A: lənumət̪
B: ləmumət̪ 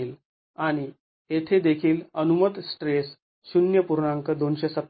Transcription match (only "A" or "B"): A